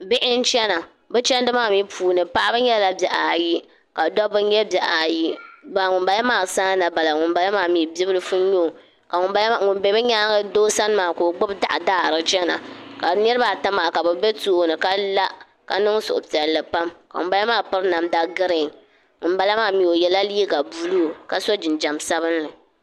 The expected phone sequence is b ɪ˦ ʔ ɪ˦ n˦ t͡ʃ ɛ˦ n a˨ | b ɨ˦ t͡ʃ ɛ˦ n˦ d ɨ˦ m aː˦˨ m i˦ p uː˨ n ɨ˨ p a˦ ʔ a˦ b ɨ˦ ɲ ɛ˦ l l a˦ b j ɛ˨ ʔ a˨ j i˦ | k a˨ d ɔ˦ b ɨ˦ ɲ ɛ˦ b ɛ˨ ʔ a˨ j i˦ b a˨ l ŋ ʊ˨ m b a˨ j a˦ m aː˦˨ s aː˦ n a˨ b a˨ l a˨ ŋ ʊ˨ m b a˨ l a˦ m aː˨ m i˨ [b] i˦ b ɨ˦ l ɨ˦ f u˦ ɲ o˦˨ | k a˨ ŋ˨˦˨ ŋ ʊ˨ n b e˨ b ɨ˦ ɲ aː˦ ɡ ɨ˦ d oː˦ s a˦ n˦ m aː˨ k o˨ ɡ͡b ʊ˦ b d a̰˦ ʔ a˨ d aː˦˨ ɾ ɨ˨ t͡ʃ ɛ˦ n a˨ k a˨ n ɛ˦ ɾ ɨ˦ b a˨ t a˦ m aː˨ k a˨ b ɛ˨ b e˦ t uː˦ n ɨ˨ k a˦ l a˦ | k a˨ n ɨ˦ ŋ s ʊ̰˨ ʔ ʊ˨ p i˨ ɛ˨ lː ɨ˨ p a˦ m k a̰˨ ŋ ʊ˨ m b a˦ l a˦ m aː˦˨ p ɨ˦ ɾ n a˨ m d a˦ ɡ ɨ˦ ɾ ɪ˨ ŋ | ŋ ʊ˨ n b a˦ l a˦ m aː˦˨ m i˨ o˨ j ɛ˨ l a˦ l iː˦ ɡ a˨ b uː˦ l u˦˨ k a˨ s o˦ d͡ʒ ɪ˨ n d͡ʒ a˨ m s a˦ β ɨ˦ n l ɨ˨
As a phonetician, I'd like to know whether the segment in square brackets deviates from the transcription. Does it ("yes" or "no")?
no